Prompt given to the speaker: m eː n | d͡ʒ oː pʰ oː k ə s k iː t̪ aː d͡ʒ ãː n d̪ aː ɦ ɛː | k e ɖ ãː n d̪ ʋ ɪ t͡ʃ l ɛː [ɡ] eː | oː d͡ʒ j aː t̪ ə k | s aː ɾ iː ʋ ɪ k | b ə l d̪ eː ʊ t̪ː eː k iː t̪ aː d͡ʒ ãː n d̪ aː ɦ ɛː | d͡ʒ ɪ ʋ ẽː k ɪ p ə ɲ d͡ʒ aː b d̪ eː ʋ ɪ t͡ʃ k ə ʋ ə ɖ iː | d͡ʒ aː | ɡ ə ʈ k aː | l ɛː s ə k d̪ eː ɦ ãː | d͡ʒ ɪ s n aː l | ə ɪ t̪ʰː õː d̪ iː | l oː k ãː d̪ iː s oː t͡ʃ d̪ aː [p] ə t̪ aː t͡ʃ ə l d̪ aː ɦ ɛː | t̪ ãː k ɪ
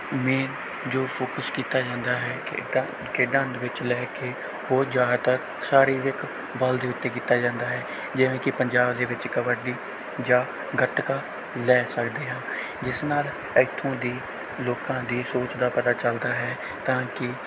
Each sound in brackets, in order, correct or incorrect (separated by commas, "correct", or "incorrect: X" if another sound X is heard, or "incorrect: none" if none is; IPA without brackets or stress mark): incorrect: k, correct